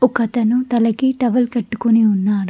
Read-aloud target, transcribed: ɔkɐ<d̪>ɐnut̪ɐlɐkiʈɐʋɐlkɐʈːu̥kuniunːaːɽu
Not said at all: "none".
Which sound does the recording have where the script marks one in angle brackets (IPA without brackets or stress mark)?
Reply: t̪